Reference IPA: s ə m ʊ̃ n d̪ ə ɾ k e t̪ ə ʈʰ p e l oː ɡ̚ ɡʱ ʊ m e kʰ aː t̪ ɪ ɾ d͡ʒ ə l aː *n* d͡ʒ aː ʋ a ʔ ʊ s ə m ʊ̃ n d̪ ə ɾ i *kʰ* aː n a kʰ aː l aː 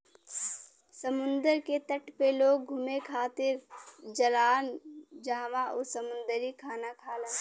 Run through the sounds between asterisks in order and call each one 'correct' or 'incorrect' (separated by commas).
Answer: correct, correct